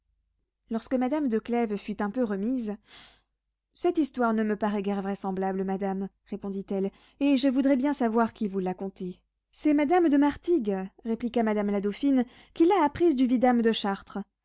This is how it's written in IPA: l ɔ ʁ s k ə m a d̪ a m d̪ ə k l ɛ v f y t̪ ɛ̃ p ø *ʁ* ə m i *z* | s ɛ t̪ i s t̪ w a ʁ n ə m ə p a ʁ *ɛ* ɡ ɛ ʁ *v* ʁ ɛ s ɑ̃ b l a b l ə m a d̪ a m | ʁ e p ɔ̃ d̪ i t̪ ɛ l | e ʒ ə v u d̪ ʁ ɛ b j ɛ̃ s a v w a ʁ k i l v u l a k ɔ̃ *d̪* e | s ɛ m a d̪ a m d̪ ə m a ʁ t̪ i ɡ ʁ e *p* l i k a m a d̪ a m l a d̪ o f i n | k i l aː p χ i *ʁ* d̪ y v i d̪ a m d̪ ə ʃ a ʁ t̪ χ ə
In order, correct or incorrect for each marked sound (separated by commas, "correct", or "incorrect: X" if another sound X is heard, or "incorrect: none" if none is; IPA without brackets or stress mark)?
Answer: correct, correct, correct, correct, incorrect: t̪, correct, incorrect: z